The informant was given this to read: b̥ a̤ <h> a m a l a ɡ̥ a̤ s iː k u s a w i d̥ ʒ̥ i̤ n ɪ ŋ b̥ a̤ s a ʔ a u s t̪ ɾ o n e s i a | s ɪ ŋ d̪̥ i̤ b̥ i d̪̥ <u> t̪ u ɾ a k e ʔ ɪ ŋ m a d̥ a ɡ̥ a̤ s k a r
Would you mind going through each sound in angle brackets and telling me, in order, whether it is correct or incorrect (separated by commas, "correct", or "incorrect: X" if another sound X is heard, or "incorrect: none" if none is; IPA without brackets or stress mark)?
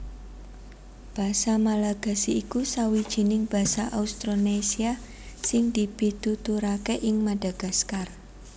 incorrect: s, correct